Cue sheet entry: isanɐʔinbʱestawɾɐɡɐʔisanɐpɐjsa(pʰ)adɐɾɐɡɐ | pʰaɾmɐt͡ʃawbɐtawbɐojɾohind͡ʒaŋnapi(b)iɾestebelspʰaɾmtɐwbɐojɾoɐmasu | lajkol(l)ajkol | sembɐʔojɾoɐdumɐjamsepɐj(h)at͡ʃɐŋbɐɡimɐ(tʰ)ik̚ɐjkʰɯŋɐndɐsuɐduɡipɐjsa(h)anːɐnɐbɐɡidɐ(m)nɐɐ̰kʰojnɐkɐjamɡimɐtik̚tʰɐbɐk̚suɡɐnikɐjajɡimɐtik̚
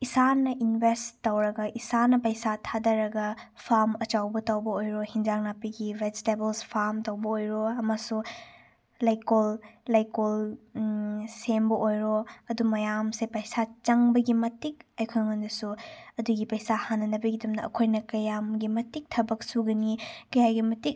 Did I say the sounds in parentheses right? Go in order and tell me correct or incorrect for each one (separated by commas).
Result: incorrect, incorrect, correct, incorrect, incorrect, correct, correct